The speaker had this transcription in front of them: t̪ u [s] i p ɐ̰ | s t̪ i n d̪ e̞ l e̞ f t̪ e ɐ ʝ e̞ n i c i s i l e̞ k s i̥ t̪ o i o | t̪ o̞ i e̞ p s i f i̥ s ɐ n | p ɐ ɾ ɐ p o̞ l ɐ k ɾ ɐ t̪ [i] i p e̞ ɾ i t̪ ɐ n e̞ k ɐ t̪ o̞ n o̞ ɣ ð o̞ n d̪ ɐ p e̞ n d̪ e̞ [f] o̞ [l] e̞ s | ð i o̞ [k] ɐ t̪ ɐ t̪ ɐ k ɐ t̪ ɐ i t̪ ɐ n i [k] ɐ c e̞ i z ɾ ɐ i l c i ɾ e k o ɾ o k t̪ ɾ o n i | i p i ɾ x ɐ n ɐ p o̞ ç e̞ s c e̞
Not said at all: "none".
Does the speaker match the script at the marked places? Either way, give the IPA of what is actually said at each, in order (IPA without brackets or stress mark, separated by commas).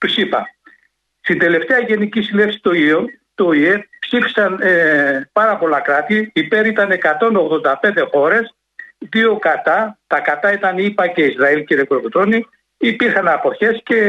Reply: s, i, x, ɾ, k, p